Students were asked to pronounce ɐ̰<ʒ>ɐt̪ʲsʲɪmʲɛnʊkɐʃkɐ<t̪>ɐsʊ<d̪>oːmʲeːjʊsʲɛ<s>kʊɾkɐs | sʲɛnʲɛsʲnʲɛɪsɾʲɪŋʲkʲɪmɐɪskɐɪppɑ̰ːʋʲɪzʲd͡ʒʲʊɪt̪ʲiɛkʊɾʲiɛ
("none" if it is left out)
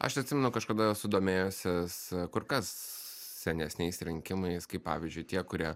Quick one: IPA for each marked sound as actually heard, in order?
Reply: ʃ, d̪, d̪, s

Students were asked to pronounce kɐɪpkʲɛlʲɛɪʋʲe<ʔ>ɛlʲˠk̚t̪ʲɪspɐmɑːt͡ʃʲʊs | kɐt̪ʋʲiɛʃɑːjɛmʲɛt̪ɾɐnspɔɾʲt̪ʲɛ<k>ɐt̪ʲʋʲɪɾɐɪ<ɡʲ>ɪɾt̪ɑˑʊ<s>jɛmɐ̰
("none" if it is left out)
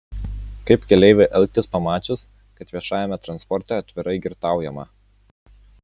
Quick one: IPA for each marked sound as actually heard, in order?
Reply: ʔ, none, ɡʲ, none

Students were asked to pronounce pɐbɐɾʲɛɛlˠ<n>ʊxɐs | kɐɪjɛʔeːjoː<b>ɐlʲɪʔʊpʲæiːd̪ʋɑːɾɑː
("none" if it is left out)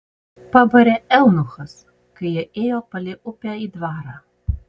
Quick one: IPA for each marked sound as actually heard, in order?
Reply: n, p

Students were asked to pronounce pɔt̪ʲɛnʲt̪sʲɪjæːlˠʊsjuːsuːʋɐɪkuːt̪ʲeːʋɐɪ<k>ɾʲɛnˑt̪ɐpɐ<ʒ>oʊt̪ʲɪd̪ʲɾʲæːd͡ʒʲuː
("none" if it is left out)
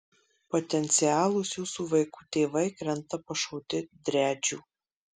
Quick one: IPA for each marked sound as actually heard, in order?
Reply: k, ʃ

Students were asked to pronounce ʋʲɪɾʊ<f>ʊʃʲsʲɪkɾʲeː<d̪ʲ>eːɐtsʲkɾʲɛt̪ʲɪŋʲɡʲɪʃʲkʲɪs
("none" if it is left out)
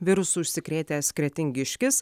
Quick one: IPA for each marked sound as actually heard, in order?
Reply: s, t̪ʲ

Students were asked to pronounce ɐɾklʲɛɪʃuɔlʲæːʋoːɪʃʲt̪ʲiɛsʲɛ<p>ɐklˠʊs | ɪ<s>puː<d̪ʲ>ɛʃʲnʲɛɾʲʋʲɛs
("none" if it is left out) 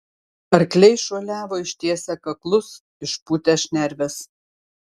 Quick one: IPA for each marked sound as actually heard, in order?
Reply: k, ʃ, t̪ʲ

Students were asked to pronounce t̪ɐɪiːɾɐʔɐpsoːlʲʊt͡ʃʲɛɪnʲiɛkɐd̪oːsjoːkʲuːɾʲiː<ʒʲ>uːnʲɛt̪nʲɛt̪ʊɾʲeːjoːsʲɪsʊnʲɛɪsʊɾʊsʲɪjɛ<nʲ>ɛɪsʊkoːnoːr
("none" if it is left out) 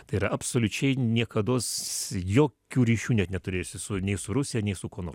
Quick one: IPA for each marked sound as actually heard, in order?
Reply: ʃʲ, nʲ

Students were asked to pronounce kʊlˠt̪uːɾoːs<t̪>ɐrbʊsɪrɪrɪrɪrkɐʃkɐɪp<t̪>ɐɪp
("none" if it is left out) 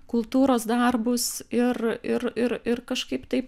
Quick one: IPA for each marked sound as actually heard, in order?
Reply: d̪, t̪

